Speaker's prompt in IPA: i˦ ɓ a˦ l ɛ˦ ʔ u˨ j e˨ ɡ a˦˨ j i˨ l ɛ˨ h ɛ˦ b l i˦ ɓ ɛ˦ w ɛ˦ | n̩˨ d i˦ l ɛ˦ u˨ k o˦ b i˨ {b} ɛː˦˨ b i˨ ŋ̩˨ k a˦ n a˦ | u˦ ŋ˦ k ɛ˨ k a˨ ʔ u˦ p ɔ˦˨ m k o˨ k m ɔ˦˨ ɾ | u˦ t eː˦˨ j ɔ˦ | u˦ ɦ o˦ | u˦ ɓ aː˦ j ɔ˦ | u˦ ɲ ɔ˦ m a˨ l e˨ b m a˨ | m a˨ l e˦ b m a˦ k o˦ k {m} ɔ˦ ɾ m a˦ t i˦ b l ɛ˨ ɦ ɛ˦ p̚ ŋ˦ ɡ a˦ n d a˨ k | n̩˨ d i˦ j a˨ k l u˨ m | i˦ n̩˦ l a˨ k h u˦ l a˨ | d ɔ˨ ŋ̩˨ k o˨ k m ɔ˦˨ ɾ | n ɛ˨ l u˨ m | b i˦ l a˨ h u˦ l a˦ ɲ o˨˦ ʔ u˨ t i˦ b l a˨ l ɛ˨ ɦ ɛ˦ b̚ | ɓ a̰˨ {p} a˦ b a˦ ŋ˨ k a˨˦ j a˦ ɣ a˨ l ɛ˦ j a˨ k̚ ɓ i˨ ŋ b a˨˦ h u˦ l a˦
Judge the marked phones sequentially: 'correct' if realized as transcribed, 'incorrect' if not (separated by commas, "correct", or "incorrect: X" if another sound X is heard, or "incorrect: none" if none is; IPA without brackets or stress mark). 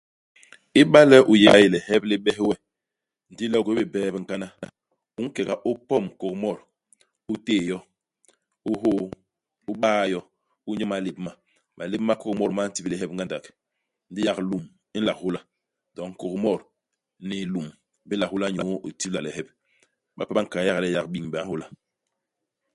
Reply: correct, correct, correct